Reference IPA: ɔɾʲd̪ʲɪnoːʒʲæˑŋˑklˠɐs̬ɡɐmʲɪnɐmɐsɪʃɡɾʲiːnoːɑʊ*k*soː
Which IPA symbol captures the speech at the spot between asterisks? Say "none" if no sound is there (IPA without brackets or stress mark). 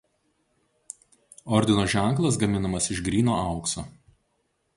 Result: k